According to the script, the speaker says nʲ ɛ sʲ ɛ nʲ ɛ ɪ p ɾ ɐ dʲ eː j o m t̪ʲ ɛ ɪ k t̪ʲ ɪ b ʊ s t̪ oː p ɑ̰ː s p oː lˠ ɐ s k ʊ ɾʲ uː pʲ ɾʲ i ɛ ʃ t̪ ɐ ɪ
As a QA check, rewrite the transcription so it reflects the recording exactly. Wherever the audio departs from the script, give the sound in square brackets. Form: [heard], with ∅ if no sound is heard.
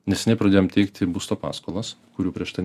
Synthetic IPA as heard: nʲ ɛ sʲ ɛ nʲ ɛ ɪ p ɾ ɐ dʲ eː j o m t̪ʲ ɛ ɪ k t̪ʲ ɪ b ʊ s t̪ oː p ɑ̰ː s [k] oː lˠ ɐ s k ʊ ɾʲ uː pʲ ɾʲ i ɛ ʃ t̪ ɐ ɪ